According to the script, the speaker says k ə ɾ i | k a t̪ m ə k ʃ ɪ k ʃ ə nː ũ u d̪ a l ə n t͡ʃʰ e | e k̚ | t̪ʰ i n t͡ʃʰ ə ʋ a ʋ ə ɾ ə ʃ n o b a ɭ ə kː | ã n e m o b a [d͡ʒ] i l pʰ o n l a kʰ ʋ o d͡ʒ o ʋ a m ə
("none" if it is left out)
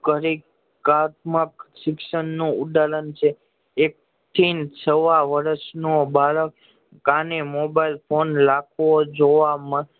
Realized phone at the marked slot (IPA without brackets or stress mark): none